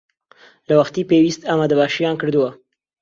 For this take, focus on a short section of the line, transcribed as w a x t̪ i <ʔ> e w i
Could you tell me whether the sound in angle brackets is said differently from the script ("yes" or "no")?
yes